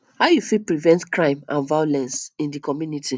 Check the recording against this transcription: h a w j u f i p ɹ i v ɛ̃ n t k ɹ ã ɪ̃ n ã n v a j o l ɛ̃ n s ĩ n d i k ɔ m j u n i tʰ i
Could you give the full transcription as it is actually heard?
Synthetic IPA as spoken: h a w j u f i p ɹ i v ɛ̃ n t k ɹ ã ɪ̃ m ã n v a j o l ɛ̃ n s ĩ n d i k ɔ m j u n i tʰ i